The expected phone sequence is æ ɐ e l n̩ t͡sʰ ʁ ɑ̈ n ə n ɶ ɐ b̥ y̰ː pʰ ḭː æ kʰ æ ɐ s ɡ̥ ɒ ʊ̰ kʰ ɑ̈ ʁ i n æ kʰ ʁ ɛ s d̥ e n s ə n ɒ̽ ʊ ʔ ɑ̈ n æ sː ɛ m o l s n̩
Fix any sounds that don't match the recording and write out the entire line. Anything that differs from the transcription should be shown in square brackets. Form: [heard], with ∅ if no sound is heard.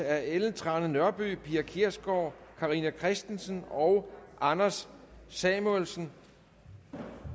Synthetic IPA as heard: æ ɐ e l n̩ t͡sʰ ʁ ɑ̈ n ə n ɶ ɐ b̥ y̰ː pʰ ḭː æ kʰ [i] ɐ s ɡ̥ ɒ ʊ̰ kʰ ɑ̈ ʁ i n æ kʰ ʁ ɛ s d̥ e n s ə n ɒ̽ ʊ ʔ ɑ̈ n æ sː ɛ m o l s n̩